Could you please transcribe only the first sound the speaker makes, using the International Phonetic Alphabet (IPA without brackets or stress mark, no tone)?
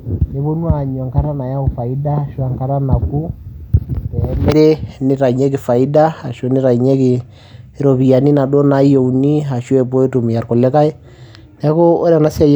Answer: n